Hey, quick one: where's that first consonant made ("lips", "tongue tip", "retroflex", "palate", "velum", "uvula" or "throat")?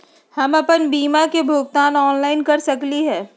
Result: throat